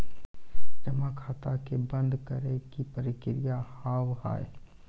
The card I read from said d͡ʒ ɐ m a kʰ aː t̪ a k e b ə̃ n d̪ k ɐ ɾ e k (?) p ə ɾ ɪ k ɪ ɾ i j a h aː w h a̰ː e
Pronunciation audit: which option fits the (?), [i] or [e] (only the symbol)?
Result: i